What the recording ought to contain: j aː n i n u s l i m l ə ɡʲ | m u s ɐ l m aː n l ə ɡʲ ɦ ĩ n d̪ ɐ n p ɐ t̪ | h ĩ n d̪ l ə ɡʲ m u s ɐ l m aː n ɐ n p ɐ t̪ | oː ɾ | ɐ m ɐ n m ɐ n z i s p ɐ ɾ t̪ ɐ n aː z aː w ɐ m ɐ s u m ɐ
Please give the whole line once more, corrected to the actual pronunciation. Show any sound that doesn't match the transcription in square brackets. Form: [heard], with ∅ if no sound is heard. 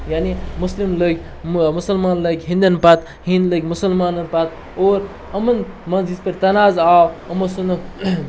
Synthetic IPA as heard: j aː n i [m] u s l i m l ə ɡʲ | m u s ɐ l m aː n l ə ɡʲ ɦ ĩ n d̪ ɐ n p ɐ t̪ | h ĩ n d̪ l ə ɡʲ m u s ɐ l m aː n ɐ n p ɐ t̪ | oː ɾ | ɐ m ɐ n m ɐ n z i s p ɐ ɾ t̪ ɐ n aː z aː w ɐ m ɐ s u [n] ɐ